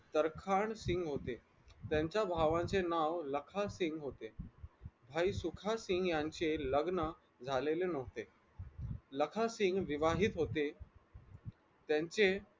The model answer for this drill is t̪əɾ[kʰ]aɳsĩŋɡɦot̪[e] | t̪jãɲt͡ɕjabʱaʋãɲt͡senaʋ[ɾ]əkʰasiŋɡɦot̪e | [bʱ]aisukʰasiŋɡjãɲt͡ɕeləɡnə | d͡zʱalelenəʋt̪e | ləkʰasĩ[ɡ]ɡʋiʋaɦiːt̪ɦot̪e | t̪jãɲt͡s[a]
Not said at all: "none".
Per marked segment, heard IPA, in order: kʰ, e, l, bʱ, ŋ, e

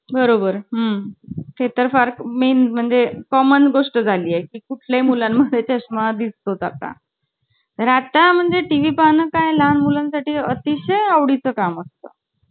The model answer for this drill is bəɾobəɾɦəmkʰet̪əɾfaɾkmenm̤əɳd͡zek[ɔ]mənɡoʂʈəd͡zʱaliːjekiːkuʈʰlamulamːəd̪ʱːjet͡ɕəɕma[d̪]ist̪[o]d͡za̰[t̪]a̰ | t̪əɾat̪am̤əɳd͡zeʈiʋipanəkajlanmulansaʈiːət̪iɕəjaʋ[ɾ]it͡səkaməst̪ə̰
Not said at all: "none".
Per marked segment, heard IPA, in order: ɔ, d̪, o, t̪, ɽ

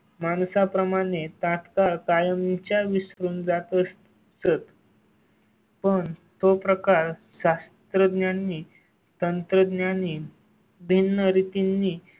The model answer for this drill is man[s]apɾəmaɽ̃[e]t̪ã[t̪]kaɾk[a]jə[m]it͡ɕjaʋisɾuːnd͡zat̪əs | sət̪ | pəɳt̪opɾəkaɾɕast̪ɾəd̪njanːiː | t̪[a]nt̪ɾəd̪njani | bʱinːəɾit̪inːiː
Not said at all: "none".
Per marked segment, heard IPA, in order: s, e, t̪, a, m, ə

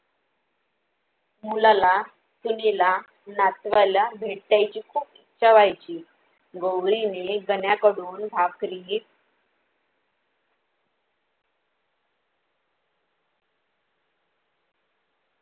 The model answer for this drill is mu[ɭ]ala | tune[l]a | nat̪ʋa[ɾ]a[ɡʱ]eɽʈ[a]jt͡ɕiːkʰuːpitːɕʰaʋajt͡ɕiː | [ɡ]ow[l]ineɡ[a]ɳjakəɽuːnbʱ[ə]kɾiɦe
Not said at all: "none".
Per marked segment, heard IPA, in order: l, l, l, bʱ, a, ɡ, ɾ, ə, a

